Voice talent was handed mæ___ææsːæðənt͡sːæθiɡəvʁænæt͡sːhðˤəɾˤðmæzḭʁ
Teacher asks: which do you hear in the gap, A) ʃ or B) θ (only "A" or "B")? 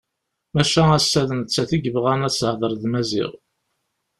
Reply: A